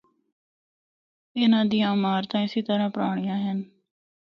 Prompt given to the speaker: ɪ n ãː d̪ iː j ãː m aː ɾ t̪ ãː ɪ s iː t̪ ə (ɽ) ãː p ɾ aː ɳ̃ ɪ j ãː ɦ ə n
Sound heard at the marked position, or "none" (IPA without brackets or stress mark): ɾ